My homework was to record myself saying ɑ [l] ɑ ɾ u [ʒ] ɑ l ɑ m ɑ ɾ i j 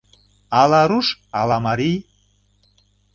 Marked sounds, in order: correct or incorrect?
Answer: correct, incorrect: ʃ

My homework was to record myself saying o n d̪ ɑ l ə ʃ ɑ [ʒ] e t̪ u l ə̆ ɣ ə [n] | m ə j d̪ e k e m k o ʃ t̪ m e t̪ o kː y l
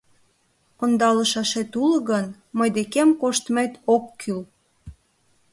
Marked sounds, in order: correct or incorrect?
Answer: incorrect: ʃ, correct

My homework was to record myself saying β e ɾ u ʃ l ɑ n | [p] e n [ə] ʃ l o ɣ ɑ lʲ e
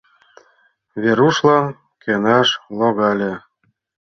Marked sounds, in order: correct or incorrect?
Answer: incorrect: k, incorrect: ɑ

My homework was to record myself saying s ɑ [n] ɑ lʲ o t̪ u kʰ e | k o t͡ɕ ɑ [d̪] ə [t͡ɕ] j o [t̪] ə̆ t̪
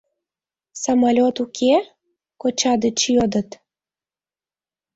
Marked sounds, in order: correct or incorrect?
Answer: incorrect: m, correct, correct, incorrect: d̪

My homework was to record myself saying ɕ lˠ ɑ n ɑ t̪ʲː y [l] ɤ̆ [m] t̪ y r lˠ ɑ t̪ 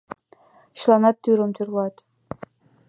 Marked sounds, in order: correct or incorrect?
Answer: incorrect: ɾ, correct

